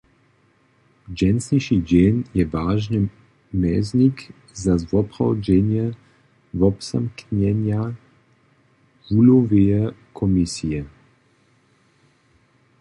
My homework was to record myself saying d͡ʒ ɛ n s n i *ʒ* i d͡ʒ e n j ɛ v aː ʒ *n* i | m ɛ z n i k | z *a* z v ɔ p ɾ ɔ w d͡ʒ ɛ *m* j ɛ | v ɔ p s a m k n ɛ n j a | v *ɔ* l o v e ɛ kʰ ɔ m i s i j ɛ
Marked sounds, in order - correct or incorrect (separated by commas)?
incorrect, correct, correct, incorrect, incorrect